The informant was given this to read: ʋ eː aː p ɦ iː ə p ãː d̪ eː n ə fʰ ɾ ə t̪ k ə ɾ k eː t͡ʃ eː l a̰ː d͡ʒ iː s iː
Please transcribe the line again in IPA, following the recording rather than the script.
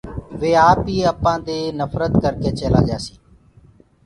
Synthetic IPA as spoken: ʋ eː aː p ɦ iː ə p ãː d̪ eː n ə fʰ ɾ ə t̪ k ə ɾ k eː t͡ʃ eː l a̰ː d͡ʒ aː s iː